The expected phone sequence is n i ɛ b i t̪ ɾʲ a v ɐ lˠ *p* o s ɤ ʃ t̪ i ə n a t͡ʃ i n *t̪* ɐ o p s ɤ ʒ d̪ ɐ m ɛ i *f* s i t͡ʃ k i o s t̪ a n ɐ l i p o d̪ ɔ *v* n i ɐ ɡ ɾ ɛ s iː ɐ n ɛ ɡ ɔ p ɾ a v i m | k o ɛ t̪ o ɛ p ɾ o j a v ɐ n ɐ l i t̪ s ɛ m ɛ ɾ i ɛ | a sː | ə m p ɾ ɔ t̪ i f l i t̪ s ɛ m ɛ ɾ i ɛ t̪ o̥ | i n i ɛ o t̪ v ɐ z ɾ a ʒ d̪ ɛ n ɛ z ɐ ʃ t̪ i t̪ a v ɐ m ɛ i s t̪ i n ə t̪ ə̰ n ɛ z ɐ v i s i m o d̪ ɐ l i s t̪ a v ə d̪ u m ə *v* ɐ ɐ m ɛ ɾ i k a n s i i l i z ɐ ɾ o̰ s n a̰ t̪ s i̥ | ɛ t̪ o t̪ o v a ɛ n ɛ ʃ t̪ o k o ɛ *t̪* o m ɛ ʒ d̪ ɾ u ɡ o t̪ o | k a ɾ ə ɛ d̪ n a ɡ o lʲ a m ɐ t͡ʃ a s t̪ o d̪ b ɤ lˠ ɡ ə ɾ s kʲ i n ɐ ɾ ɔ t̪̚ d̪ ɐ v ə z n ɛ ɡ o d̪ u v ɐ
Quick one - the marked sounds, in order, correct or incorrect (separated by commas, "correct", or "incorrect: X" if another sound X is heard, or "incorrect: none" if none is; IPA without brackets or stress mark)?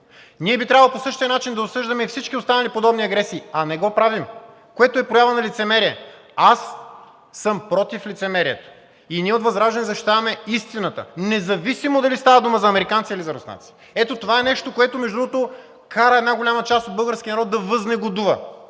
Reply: correct, incorrect: d̪, correct, incorrect: b, incorrect: z, correct